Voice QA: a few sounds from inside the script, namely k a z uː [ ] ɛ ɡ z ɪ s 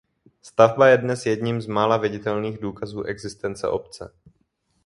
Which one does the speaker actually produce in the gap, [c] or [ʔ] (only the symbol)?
ʔ